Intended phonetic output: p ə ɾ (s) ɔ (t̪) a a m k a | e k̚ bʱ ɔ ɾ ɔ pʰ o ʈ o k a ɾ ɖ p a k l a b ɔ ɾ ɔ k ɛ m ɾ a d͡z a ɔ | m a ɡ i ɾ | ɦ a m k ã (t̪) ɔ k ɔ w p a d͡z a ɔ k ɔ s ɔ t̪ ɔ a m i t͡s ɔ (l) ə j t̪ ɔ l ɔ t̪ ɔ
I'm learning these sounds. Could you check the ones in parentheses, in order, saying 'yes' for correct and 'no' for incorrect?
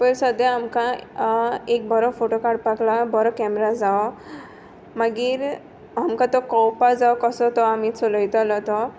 yes, no, yes, yes

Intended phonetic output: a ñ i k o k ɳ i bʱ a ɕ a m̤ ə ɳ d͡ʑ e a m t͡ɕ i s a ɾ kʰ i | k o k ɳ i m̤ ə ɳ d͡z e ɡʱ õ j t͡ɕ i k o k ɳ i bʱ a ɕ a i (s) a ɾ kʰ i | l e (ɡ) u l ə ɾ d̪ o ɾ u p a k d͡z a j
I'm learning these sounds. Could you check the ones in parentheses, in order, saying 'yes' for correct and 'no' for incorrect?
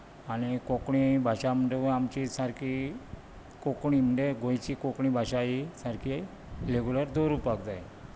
yes, yes

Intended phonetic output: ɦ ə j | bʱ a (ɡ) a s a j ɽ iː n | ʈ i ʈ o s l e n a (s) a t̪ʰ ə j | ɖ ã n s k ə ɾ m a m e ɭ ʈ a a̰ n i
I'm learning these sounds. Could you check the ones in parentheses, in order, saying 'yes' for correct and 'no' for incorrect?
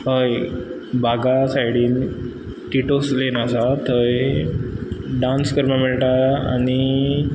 yes, yes

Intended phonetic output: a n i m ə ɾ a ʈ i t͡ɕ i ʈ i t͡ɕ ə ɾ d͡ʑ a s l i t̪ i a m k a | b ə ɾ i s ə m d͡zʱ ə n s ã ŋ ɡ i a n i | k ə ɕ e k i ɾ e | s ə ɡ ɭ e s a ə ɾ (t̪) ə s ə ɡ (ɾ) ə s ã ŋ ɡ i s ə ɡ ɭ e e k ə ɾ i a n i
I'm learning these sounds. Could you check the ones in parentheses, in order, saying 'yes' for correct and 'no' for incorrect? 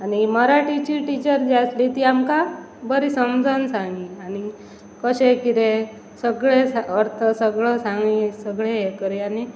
no, no

